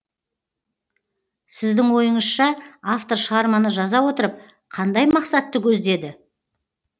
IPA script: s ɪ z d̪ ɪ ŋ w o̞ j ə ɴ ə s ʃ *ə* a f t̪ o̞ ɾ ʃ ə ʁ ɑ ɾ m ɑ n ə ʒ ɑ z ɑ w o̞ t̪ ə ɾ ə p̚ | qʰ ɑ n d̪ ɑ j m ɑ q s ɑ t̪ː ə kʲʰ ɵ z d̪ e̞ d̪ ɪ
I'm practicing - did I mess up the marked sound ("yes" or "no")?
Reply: yes